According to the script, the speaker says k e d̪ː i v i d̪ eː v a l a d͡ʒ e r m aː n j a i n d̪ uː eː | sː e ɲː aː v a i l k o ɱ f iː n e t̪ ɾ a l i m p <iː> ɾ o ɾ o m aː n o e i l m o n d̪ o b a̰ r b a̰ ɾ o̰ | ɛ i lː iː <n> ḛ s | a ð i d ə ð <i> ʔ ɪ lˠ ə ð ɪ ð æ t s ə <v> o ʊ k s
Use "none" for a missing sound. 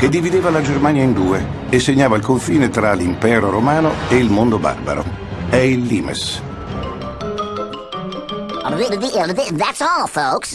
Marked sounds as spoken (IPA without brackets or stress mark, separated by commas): ɛː, m, i, f